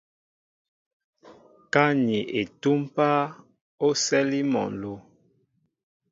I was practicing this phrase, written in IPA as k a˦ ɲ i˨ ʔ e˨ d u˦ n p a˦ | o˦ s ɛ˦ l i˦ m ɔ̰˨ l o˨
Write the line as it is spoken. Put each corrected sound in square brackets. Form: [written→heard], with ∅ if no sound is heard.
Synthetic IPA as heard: k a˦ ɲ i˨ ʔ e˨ [d→t] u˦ [n→m] p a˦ | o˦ s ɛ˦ l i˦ m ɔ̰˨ l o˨